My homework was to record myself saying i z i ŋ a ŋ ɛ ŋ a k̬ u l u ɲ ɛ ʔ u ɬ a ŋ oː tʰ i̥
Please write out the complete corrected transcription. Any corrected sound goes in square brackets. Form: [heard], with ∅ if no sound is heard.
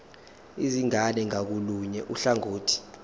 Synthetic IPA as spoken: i z i ŋ a [n] ɛ ŋ a k̬ u l u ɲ ɛ ʔ u ɬ a ŋ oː tʰ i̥